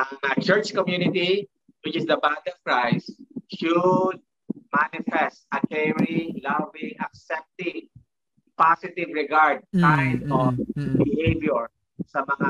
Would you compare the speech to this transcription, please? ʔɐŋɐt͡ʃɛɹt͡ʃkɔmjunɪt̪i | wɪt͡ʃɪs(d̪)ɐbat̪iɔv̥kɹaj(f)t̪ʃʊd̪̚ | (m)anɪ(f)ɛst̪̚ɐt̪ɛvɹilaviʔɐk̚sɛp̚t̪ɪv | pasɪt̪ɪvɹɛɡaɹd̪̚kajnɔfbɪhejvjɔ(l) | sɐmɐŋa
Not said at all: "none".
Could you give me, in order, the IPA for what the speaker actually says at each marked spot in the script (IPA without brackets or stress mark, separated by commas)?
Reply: d̪, s, m, f, ɹ